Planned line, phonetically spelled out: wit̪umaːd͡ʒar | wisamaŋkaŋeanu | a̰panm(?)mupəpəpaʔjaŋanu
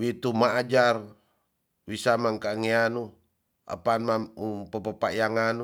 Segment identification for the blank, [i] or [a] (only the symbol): a